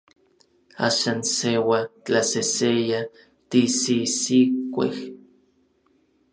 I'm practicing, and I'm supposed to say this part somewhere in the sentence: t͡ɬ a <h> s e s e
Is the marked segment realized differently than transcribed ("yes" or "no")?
yes